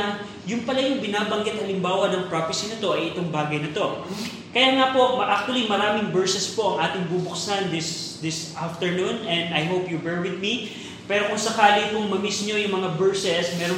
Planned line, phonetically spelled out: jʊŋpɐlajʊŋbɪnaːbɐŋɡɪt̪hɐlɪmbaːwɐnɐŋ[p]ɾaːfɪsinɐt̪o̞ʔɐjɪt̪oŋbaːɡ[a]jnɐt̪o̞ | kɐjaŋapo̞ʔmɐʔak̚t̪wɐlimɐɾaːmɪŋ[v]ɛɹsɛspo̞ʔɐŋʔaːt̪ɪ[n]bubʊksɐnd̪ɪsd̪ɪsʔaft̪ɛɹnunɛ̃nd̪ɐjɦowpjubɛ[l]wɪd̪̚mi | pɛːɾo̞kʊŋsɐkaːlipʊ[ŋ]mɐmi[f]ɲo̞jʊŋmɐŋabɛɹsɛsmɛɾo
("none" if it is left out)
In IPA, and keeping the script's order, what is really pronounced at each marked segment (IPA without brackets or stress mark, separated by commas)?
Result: p, ɐ, b, ŋ, ɹ, ŋ, s